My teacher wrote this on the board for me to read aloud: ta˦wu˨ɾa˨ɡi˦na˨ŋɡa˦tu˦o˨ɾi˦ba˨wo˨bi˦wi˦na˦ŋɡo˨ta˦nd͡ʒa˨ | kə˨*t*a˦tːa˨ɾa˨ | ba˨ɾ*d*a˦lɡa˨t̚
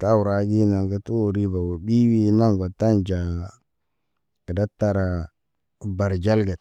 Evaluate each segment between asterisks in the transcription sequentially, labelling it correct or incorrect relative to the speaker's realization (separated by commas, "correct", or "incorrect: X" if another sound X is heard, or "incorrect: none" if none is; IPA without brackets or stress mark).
incorrect: d, incorrect: d͡ʒ